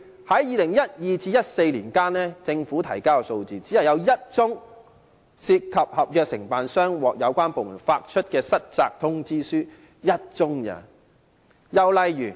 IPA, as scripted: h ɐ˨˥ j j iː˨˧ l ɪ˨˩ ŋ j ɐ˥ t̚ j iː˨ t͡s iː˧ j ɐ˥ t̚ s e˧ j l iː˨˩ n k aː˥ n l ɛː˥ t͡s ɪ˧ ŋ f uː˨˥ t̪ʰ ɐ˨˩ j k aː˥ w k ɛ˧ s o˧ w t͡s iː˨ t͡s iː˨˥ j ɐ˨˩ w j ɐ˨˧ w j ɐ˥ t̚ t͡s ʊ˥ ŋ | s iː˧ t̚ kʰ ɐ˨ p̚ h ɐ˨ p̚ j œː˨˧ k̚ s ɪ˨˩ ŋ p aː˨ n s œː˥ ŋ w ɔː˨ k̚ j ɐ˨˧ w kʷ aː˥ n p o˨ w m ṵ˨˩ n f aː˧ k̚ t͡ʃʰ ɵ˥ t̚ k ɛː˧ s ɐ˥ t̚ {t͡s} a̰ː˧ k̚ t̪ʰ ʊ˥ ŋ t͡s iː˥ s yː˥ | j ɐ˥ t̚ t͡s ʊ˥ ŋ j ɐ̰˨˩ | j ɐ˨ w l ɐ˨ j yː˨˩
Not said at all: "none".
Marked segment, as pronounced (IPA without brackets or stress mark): t͡s